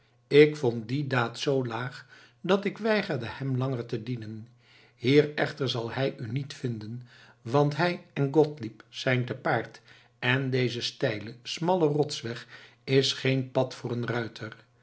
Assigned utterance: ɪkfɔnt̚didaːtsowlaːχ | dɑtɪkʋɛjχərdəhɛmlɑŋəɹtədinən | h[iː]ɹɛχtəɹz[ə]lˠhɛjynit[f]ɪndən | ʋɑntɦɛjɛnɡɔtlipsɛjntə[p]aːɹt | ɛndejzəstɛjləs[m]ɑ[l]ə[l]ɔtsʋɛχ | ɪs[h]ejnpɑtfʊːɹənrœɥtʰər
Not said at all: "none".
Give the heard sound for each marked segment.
iː, ɑ, f, p, m, l, r, χ

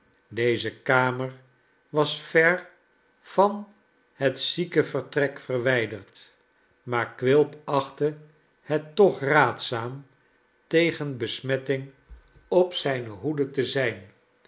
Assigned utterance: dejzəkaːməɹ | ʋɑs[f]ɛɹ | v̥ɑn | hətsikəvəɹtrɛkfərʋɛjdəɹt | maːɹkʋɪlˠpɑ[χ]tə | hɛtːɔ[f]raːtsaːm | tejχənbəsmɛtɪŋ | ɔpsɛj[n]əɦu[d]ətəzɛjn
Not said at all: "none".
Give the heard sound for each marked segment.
f, χ, χ, n, d

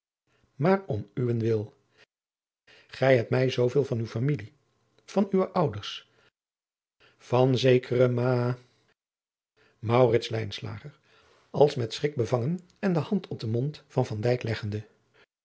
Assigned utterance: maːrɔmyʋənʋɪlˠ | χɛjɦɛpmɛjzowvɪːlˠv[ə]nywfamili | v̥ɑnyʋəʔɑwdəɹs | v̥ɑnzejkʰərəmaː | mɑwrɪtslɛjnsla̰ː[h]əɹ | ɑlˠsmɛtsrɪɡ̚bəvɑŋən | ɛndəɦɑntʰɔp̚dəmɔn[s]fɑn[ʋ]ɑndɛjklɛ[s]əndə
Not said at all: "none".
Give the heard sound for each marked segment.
ɑ, χ, t, v, χ

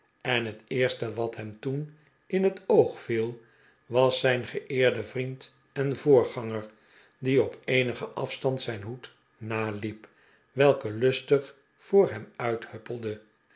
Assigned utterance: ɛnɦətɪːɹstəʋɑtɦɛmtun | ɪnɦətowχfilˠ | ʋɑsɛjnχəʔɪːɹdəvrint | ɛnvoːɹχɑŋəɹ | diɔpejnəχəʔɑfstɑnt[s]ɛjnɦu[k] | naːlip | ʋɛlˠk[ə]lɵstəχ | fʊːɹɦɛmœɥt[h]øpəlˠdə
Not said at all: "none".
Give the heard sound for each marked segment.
s, t, ə, h

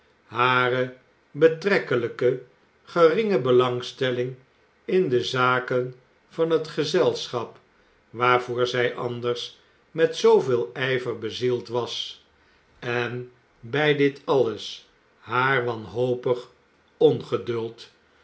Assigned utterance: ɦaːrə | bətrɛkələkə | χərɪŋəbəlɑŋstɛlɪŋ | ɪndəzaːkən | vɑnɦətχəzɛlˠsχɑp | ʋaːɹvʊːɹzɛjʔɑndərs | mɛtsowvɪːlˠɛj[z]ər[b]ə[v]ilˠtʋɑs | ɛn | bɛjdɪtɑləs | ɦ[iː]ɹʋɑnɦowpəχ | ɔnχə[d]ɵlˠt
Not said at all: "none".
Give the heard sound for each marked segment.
v, b, z, aː, d

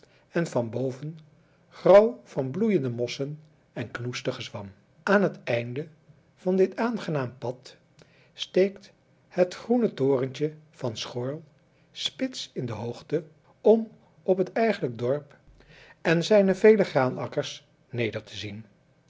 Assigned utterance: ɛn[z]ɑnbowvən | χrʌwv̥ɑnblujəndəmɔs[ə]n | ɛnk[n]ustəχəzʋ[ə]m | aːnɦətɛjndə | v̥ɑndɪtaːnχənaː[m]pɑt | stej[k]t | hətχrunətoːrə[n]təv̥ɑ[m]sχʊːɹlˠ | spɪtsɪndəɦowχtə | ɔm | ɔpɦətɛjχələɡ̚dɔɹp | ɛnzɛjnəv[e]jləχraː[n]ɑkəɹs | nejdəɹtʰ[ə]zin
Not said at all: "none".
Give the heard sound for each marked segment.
v, ə, n, ɑ, m, k, n, n, e, n, ə

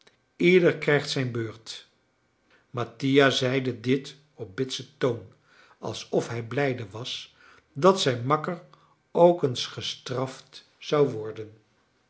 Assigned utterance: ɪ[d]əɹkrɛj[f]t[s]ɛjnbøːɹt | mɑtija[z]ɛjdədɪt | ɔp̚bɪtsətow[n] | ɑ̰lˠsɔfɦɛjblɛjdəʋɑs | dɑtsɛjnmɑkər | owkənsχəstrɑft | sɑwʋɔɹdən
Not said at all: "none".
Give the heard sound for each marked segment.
d, χ, s, z, n

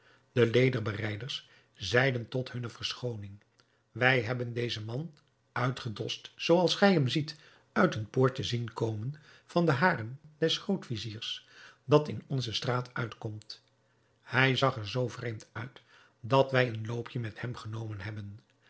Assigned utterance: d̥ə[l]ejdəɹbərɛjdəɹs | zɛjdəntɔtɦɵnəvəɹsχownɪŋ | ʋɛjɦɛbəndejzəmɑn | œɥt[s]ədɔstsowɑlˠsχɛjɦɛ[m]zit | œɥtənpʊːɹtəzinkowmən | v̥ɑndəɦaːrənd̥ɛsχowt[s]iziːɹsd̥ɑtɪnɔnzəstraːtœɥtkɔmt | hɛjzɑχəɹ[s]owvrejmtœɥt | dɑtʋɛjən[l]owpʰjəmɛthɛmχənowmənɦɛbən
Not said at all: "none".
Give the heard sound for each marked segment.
l, χ, m, f, z, l

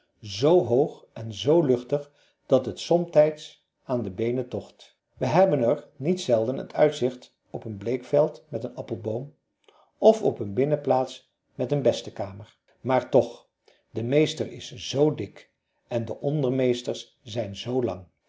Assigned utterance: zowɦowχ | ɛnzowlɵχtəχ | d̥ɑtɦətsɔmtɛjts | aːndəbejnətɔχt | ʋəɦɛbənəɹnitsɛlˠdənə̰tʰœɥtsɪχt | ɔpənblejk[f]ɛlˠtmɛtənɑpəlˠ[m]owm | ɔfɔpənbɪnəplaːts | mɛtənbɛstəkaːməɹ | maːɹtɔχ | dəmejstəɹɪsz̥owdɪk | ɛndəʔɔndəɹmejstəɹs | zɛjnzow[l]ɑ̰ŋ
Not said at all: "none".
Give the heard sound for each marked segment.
f, b, l

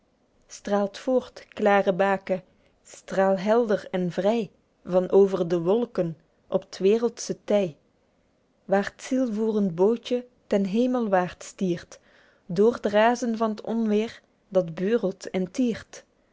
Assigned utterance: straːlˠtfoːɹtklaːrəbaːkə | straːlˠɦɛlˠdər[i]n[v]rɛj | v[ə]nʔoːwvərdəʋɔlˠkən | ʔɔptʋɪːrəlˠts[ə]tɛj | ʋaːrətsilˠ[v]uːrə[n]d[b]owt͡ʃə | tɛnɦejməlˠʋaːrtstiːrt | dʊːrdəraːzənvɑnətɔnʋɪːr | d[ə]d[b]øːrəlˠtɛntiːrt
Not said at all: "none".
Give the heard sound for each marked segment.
ɛ, v, ɑ, ə, v, n, b, ɑ, b

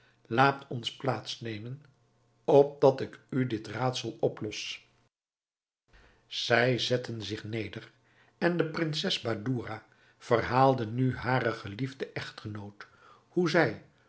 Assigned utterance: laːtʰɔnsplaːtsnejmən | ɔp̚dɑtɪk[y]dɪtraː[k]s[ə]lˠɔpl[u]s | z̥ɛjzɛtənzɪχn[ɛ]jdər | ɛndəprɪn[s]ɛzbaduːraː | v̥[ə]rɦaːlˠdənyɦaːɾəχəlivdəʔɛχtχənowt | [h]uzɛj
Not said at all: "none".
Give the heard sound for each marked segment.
y, t, ɑ, ɔ, e, s, ə, h

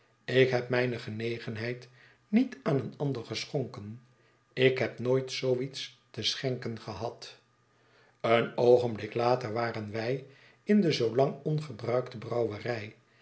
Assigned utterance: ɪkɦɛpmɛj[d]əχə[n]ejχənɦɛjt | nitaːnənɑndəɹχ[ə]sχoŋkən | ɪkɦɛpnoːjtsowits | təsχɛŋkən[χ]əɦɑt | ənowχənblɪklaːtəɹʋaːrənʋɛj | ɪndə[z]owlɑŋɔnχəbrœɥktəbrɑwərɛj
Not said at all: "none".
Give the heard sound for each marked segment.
n, n, ə, χ, z

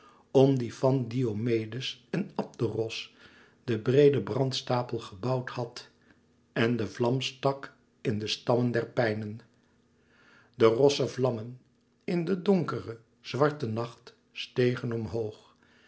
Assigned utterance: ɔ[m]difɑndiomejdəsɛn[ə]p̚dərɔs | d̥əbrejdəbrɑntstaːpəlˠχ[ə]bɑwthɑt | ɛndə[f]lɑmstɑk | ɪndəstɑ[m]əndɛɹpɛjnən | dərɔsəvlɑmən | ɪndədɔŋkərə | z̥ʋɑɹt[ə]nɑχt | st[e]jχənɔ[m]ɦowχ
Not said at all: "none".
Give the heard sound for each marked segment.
m, ɑ, ə, v, m, ə, e, m

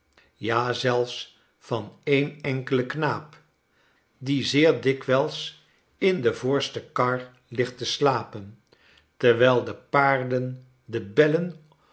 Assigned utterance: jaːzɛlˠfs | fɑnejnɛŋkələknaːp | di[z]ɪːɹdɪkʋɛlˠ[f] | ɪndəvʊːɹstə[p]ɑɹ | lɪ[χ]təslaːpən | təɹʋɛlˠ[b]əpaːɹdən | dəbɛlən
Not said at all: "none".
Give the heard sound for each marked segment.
z, s, k, χ, d

